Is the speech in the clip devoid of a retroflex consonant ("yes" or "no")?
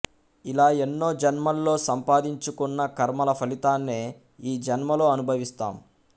yes